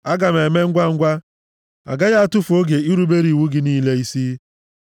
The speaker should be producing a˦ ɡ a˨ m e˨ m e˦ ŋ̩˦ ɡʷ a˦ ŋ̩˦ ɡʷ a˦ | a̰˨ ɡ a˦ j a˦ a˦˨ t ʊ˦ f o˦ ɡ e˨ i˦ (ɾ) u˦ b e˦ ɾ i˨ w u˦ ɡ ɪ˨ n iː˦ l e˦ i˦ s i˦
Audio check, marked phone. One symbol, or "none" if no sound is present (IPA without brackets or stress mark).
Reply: ɾ